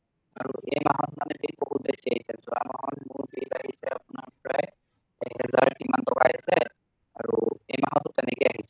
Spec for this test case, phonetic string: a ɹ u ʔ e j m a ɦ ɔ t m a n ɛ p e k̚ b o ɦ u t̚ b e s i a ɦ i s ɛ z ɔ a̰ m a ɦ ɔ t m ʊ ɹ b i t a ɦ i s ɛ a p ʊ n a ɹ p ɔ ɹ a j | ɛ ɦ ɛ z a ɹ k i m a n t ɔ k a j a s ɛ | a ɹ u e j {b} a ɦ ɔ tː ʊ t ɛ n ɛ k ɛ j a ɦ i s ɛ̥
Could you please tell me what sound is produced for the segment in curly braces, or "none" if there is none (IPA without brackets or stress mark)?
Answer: m